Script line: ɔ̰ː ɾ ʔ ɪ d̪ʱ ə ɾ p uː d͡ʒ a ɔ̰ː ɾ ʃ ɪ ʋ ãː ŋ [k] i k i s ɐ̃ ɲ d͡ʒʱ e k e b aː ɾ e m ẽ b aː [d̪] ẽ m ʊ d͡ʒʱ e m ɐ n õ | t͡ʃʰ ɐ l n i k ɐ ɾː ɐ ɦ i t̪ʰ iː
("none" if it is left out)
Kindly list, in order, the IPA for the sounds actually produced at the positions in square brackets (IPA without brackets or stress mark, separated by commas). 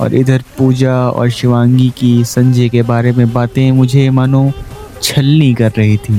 ɡ, t̪